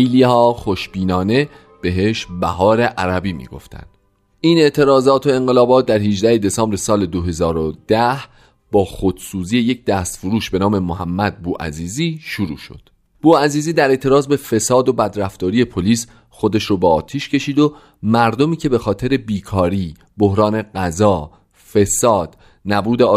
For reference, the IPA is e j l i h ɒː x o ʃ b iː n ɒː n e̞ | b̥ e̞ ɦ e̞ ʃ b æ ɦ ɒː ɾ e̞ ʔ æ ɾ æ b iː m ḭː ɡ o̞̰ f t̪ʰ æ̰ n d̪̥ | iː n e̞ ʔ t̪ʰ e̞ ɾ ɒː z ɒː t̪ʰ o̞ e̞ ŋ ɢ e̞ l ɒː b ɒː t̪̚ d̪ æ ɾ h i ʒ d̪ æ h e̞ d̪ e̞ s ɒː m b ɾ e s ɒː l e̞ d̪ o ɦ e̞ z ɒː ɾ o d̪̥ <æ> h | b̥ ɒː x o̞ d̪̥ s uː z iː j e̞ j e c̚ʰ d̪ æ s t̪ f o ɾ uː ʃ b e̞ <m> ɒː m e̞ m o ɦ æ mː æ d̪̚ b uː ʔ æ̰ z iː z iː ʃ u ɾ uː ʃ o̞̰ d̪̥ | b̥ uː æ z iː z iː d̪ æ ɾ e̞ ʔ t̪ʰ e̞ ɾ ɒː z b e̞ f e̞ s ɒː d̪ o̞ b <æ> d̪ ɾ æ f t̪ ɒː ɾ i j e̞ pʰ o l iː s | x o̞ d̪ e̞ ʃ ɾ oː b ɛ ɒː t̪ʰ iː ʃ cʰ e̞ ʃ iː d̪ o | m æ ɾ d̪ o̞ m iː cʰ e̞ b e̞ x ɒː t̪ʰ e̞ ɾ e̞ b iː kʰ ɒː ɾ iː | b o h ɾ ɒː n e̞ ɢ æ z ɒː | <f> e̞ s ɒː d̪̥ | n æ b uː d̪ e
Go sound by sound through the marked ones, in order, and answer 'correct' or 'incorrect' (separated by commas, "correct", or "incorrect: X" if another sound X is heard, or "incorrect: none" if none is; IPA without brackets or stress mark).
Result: correct, incorrect: n, correct, correct